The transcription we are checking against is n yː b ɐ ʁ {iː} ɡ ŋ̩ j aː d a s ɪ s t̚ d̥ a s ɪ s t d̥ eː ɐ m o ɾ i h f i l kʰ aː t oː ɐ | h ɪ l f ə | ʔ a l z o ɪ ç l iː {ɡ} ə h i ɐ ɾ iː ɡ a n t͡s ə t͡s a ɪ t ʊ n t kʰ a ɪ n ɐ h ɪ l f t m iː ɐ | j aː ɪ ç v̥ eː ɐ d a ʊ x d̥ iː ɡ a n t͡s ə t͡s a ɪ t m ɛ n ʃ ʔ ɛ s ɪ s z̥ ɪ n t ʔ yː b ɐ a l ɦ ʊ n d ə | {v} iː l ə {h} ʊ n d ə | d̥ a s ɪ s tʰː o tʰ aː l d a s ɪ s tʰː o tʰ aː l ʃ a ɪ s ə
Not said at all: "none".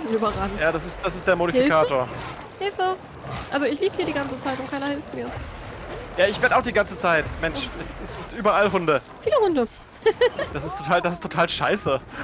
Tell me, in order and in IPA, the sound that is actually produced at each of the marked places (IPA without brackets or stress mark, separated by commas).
aː, b, f, h